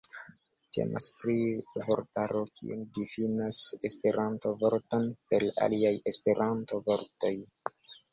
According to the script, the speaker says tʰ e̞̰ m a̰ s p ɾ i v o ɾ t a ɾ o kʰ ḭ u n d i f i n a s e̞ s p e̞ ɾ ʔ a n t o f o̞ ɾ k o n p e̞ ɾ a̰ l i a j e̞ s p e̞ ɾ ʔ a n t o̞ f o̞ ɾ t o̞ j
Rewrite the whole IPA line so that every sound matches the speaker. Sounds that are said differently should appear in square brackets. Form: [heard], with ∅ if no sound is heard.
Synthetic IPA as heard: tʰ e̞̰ m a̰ s p ɾ i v o ɾ t a ɾ o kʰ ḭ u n d i f i n a s e̞ s p e̞ ɾ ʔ a n t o [v] o̞ ɾ [t] o n p e̞ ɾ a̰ l i a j e̞ s p e̞ ɾ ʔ a n t o̞ [v] o̞ ɾ t o̞ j